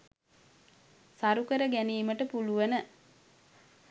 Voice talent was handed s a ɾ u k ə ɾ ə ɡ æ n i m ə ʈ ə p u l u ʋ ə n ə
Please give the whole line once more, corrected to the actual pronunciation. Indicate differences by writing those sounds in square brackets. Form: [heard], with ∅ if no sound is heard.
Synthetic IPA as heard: s a ɾ u k ə ɾ ə ɡ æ n [iː] m ə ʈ ə p u l u ʋ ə n ə